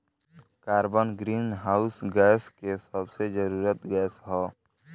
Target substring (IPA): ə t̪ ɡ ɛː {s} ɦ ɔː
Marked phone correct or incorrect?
correct